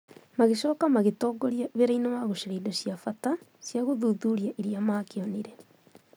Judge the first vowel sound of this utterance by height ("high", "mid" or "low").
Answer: low